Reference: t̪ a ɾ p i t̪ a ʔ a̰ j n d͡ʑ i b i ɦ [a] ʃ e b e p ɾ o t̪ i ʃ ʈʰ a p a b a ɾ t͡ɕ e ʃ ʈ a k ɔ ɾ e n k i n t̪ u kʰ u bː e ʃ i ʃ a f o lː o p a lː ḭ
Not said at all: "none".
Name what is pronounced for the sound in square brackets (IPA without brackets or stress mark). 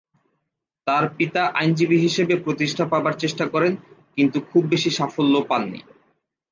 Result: i